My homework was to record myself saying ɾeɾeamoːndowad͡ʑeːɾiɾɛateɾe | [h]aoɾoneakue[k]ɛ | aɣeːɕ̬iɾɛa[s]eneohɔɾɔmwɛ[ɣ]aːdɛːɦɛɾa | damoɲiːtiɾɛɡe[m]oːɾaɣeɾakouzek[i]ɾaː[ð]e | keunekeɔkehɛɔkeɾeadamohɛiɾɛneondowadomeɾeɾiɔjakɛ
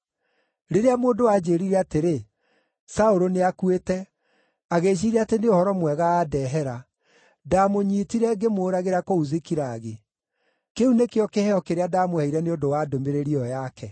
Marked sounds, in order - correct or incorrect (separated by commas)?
incorrect, incorrect, incorrect, correct, correct, correct, incorrect